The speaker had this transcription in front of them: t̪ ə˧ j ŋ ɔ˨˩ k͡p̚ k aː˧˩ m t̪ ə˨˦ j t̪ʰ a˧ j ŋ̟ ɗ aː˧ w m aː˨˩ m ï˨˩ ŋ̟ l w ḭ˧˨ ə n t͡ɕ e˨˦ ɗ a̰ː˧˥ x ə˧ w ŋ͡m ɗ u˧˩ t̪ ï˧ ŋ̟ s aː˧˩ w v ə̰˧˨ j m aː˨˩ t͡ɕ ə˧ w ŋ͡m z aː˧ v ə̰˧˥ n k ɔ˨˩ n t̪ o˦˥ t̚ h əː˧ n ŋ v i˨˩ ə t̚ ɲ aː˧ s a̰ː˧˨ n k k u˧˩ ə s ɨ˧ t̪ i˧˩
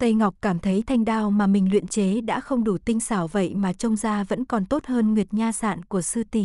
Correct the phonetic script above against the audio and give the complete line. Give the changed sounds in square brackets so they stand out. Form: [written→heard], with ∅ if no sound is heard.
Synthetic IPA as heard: t̪ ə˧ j ŋ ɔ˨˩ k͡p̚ k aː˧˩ m [t̪→t̪ʰ] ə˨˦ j t̪ʰ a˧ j ŋ̟ ɗ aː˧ w m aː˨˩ m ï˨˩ ŋ̟ l w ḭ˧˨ ə n t͡ɕ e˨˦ ɗ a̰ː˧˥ x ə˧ w ŋ͡m ɗ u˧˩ t̪ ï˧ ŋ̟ s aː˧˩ w v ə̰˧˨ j m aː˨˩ t͡ɕ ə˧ w ŋ͡m z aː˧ v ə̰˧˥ n k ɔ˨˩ n t̪ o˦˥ t̚ h əː˧ n ŋ [v→w] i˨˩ ə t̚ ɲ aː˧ s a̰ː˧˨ n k k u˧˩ ə s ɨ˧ t̪ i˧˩

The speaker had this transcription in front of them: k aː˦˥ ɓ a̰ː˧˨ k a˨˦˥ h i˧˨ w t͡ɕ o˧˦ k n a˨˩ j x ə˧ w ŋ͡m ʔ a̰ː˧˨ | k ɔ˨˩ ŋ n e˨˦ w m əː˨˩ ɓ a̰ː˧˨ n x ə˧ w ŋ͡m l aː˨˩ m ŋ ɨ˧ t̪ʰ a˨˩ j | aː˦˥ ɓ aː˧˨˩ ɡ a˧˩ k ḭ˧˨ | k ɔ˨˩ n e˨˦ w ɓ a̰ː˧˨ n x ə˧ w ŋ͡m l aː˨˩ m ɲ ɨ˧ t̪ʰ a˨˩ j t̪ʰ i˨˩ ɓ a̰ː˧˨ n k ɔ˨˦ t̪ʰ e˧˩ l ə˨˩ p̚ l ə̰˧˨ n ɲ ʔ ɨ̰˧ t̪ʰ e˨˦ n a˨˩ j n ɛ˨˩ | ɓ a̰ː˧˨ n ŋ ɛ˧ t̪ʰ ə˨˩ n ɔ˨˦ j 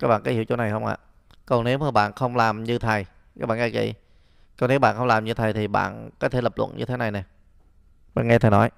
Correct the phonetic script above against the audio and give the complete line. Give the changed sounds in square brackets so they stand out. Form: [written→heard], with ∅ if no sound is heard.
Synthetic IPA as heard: k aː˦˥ ɓ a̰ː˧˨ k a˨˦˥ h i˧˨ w t͡ɕ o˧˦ [k→∅] n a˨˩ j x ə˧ w ŋ͡m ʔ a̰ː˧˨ | k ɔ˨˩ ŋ n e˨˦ w m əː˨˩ ɓ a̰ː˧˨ n x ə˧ w ŋ͡m l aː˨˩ m [ŋ→ɲ] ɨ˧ t̪ʰ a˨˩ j | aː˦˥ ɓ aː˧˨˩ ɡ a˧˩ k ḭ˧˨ | k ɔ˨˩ n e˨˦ w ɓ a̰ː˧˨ n x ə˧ w ŋ͡m l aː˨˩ m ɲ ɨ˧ t̪ʰ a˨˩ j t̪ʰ i˨˩ ɓ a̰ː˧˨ n k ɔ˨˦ t̪ʰ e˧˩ l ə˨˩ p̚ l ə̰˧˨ n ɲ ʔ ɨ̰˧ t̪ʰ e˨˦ n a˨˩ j n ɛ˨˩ | ɓ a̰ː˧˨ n ŋ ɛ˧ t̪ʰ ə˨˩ n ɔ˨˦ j

